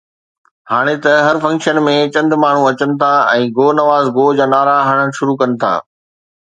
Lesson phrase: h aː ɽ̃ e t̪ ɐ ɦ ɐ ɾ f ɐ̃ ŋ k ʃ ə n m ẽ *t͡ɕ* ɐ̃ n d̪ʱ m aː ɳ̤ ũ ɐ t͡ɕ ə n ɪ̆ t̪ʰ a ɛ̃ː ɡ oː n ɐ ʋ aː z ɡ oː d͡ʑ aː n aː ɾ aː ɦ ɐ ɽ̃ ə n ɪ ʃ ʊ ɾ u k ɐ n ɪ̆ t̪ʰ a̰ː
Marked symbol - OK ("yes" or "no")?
yes